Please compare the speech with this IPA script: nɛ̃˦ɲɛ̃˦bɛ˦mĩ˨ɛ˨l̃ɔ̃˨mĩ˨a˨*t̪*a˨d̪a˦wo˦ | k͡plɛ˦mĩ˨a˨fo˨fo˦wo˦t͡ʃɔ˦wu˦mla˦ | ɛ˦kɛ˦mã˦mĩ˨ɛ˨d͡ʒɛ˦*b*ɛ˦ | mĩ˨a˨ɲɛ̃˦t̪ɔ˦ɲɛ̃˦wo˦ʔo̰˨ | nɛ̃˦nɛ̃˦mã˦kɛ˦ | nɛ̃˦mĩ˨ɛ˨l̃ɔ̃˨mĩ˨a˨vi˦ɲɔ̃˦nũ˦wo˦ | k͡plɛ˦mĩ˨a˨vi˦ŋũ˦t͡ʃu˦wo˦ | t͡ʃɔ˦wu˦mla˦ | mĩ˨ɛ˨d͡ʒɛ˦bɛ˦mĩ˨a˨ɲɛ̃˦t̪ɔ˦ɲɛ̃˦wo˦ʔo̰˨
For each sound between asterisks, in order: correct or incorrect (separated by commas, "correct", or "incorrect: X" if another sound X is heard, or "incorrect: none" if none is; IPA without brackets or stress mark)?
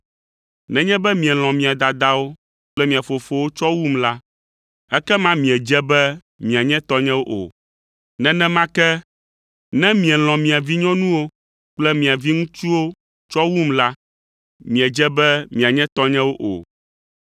incorrect: d̪, correct